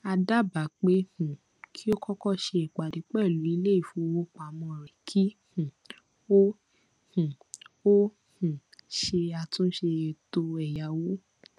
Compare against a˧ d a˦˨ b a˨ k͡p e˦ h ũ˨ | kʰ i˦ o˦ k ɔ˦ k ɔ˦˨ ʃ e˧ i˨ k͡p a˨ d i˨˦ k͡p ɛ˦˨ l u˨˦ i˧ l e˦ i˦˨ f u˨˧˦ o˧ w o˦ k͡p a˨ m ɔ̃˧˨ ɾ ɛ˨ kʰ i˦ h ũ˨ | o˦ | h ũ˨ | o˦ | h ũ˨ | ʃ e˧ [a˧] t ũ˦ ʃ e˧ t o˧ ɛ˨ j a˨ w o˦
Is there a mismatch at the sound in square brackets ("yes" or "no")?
no